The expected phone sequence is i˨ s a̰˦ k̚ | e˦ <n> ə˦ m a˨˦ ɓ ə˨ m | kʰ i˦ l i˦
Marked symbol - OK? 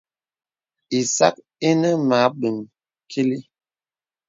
yes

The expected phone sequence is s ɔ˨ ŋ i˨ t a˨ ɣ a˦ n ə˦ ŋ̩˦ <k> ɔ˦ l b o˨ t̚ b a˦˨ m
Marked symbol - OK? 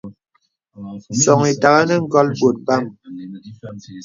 no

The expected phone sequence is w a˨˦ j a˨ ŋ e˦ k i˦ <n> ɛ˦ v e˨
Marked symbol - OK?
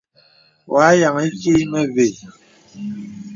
no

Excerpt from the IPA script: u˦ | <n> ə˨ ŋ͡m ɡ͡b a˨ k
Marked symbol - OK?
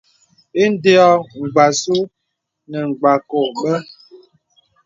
yes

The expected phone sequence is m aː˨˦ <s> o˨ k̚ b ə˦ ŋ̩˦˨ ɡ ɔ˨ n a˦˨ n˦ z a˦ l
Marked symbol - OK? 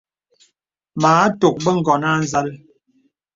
no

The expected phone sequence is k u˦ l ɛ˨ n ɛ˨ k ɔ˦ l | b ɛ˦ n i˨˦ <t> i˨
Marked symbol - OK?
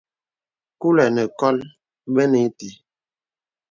yes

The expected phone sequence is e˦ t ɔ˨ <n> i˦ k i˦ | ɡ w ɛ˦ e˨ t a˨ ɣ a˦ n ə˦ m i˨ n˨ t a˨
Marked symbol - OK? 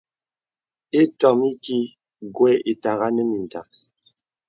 no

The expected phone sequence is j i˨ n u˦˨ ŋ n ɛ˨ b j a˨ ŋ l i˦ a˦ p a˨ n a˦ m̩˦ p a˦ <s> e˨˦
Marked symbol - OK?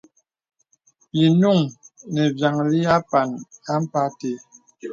no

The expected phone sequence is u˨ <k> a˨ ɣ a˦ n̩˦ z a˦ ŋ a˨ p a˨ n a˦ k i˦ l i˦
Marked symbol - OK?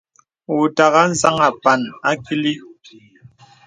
no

